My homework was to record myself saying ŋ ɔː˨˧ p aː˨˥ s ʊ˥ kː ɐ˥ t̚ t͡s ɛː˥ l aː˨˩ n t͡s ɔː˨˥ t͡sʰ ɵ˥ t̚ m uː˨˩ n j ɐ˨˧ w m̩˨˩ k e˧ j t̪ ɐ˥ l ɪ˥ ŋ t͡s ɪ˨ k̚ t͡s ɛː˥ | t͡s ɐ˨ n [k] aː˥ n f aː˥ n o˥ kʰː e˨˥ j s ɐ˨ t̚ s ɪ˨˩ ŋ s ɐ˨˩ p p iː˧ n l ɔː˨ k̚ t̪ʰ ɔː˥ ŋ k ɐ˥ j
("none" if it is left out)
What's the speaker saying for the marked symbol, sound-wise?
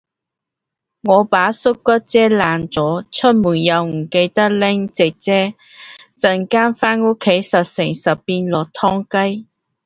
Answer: k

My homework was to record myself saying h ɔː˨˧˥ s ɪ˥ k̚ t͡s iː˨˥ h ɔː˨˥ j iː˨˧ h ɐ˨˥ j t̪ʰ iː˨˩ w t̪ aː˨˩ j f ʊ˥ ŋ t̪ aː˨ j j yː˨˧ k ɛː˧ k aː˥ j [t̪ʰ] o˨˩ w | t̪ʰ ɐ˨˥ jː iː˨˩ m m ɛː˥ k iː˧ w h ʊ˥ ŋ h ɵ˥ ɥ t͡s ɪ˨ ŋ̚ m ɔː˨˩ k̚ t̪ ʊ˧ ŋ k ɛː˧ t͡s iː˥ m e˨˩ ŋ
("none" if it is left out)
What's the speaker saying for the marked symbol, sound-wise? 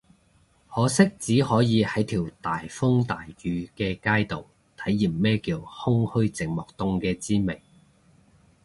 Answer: t̪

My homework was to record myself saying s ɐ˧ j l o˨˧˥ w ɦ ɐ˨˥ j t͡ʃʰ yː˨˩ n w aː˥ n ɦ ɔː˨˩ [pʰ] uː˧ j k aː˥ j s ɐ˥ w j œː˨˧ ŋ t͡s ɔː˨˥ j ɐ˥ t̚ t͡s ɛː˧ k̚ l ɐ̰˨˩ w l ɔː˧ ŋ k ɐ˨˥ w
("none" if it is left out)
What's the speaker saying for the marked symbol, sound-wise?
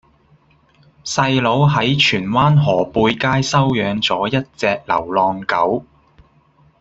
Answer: p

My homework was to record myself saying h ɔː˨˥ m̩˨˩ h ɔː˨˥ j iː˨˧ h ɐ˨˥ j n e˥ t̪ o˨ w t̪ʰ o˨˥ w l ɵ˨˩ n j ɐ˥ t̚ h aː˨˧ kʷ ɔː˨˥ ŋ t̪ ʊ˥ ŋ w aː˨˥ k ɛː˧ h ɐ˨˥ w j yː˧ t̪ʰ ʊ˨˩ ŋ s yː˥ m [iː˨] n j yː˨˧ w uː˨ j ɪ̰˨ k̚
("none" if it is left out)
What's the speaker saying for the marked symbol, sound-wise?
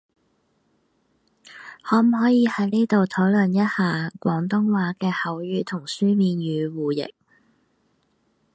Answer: iː˨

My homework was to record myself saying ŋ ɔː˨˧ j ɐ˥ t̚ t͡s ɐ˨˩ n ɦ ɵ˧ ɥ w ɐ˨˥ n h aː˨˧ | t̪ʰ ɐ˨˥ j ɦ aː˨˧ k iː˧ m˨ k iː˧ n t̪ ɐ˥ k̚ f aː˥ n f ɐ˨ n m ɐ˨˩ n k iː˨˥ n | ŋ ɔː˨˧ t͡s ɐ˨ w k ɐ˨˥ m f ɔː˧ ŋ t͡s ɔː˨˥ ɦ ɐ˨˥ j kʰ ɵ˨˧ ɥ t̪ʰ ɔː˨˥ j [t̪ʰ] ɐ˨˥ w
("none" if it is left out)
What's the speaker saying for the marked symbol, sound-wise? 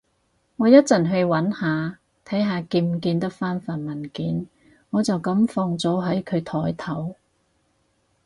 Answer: t̪ʰ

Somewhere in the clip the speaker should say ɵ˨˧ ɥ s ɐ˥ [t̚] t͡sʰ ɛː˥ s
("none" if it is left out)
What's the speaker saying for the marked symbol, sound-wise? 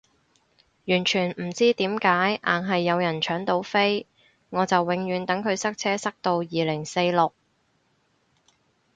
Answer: k̚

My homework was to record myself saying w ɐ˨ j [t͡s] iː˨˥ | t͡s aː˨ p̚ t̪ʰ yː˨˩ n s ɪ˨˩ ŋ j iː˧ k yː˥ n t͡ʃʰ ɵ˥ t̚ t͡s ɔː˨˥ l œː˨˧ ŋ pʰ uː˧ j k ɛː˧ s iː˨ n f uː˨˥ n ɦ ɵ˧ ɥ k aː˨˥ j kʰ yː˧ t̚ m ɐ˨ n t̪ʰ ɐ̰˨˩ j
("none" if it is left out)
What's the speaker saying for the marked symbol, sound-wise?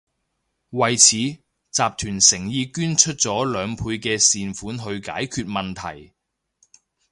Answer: t͡sʰ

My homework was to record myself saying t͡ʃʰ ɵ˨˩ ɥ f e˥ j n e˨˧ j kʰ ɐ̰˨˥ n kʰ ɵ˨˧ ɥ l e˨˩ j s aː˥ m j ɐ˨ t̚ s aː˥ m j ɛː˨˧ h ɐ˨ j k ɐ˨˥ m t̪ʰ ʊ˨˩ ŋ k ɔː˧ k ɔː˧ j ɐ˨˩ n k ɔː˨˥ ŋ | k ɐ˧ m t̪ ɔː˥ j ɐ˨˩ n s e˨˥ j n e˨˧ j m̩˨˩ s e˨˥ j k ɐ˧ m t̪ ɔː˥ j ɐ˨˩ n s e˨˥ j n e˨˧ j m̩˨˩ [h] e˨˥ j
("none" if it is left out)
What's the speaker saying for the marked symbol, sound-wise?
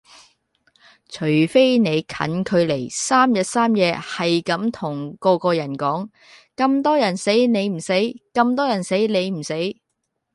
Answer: s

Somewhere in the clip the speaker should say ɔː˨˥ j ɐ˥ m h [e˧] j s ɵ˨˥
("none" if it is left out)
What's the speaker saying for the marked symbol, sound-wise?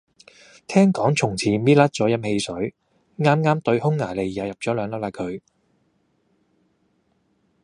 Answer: e˧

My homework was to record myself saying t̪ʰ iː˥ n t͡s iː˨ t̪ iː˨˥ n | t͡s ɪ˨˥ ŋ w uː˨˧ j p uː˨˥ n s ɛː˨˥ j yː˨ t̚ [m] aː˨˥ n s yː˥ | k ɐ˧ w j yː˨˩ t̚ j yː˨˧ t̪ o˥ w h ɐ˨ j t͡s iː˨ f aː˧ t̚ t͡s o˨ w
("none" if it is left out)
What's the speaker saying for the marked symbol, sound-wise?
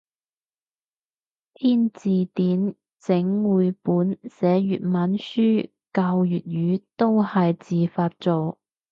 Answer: m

